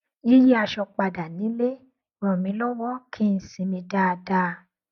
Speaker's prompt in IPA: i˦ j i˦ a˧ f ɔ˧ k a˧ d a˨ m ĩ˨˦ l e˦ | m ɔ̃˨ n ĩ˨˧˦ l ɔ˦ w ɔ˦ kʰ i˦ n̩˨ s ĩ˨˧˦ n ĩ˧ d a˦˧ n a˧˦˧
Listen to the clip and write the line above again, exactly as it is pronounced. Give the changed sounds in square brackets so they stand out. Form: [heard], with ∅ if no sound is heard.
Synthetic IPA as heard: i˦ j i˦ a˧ [ʃ] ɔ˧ [k͡p] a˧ d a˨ [n] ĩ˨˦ l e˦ | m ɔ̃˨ [m] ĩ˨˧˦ l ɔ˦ w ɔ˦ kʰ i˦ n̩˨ s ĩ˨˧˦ [m] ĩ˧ d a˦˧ [d] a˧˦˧